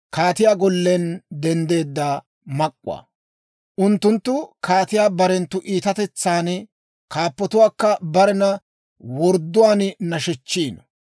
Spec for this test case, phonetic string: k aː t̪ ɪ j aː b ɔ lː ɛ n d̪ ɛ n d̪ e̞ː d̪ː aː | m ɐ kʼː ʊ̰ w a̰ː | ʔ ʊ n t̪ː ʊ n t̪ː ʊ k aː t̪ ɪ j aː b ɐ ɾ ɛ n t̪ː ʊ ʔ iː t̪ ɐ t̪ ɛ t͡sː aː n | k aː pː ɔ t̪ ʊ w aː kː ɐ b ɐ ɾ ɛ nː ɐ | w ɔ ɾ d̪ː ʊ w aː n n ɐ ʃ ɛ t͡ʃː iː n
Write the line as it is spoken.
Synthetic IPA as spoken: k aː t̪ ɪ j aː ɡ ɔ lː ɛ n d̪ ɛ n d̪ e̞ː d̪ː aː | m ɐ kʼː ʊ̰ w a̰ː | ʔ ʊ n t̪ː ʊ n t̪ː ʊ k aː t̪ ɪ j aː b ɐ ɾ ɛ n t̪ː ʊ ʔ iː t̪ ɐ t̪ ɛ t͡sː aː n | k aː pː ɔ t̪ ʊ w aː kː ɐ b ɐ ɾ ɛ n ɐ | w ɔ ɾ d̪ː ʊ w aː n n ɐ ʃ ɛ t͡ʃː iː n